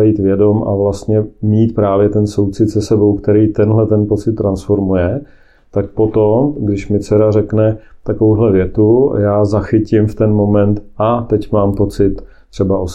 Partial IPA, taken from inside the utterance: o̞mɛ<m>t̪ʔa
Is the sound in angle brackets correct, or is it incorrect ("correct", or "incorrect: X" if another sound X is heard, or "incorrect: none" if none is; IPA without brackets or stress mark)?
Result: incorrect: n